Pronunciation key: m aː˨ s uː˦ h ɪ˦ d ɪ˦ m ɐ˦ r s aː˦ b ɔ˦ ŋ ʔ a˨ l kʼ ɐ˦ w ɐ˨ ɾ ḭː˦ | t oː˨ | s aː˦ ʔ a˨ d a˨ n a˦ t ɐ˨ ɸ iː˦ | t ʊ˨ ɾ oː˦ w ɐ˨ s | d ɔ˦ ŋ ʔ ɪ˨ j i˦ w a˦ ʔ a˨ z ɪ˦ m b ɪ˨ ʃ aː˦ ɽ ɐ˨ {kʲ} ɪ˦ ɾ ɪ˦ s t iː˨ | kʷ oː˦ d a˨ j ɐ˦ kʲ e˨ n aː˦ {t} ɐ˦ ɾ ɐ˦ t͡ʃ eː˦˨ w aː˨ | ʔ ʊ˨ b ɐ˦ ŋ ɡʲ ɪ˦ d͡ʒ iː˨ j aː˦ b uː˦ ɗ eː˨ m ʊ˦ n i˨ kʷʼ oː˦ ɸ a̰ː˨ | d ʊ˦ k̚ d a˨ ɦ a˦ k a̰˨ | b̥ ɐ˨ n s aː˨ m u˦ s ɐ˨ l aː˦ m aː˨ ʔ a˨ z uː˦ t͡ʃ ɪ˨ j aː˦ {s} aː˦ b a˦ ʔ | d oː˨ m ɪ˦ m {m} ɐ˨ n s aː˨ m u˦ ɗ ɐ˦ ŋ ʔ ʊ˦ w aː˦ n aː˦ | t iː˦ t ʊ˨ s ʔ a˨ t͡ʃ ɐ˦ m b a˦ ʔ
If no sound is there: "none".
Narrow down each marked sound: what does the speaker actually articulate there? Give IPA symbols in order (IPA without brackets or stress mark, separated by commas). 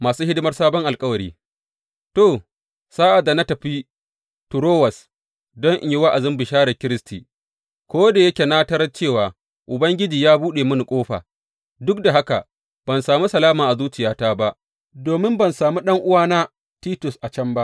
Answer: kʲ, t, t, b